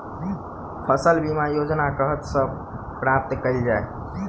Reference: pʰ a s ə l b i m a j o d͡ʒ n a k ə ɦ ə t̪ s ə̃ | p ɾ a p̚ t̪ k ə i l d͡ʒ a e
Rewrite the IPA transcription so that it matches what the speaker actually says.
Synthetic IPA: pʰ ə s ə l b i m a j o d͡ʒ n a k ə ɦ ə t̪ s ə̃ | p ɾ a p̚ t̪ k ə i l d͡ʒ a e